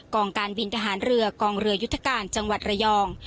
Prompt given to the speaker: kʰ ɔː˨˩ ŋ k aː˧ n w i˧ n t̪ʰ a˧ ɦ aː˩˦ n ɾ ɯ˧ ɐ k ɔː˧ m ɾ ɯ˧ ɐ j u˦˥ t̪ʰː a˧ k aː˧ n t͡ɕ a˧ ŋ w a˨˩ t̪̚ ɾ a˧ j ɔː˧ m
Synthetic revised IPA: k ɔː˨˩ ŋ k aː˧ n w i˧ n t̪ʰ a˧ ɦ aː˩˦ n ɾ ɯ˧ ɐ k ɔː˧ ŋ ɾ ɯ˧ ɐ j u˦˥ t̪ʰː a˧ k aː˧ n t͡ɕ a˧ ŋ w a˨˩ t̪̚ ɾ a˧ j ɔː˧ ŋ